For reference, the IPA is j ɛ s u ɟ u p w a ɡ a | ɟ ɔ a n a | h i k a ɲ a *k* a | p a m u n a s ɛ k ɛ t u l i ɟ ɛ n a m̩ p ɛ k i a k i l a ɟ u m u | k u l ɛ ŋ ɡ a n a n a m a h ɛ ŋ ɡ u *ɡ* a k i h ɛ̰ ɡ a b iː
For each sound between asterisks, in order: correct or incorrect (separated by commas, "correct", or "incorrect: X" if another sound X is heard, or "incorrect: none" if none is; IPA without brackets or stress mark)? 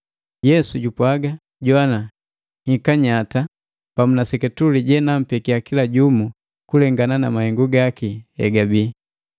incorrect: t, correct